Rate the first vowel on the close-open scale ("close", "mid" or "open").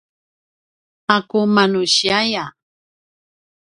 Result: open